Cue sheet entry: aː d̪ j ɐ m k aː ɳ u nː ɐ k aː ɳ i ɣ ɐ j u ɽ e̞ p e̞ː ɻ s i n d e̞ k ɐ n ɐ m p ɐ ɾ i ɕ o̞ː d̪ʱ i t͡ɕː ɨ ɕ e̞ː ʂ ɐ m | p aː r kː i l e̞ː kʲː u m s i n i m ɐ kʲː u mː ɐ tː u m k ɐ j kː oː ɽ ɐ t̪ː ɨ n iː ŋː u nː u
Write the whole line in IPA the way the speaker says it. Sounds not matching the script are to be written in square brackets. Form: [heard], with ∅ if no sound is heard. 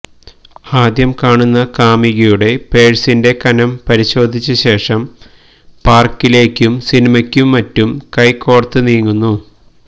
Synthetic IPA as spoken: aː d̪ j ɐ m k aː ɳ u nː ɐ k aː [m] i ɣ ɐ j u ɽ e̞ p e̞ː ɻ s i n d e̞ k ɐ n ɐ m p ɐ ɾ i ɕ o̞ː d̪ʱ i t͡ɕː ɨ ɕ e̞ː ʂ ɐ m | p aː r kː i l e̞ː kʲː u m s i n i m ɐ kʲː u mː ɐ tː u m k ɐ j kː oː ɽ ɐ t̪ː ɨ n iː ŋː u nː u